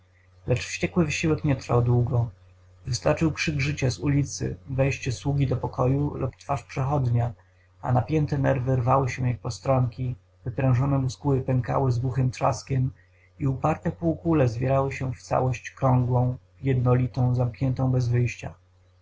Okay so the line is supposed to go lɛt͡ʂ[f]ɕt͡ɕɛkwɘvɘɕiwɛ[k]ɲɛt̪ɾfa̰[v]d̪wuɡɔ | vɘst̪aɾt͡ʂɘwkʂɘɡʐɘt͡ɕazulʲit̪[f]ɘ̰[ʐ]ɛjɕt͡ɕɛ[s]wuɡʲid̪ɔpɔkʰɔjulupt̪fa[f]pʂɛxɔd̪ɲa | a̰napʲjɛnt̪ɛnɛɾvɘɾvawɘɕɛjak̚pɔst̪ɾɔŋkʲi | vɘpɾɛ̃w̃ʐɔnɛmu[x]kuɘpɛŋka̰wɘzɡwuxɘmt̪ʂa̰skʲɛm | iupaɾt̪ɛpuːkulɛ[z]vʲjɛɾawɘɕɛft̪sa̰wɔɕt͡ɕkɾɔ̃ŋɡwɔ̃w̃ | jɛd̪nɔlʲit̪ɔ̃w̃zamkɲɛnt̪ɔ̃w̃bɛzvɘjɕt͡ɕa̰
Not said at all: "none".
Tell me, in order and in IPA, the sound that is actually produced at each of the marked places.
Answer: f, k, w, s, v, s, ʂ, s, z

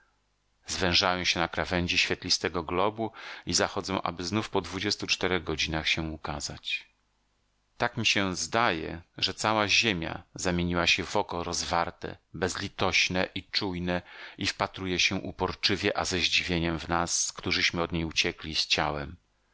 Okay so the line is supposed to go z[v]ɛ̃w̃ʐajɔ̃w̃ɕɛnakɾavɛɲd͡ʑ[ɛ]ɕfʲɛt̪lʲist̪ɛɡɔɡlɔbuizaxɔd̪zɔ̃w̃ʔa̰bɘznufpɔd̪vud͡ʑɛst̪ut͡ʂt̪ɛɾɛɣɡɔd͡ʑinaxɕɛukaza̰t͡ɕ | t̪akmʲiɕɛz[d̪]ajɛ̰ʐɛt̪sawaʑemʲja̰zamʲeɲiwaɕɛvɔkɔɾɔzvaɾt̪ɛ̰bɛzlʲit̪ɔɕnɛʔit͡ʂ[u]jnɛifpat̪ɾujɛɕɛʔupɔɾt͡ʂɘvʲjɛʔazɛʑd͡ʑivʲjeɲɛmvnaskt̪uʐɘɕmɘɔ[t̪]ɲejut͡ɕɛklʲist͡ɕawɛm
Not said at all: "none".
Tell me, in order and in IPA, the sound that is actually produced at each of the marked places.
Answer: v, i, d̪, u, d̪

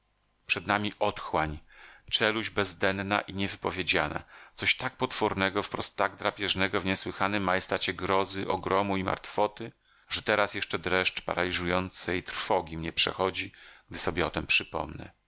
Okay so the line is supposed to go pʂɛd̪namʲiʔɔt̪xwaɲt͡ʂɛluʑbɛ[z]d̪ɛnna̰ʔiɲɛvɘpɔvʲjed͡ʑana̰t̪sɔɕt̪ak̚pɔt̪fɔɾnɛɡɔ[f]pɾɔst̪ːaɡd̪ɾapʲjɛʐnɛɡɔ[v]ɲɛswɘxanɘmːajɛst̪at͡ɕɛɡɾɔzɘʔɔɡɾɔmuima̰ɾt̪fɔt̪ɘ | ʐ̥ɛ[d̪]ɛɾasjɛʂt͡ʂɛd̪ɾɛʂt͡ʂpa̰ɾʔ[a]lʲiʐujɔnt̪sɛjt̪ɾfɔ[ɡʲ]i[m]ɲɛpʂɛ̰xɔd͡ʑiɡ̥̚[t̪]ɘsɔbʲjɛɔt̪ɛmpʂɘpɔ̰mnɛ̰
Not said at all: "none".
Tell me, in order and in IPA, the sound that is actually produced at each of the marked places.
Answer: z, f, v, t̪, a, ɡʲ, m, d̪

